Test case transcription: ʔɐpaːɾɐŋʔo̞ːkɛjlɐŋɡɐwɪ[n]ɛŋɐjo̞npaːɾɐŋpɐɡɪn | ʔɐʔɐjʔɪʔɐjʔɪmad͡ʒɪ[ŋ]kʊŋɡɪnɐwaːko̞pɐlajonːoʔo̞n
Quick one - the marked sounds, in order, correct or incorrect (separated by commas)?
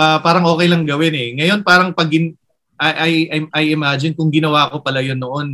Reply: correct, incorrect